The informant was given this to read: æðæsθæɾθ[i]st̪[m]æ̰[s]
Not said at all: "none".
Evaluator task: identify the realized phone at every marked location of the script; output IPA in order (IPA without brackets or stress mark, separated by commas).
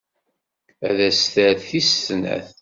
i, n, θ